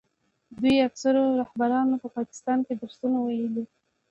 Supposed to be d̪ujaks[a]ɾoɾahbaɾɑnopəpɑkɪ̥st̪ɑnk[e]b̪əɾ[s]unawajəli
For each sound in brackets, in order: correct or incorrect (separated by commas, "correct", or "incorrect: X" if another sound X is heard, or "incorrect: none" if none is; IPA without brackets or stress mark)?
correct, correct, correct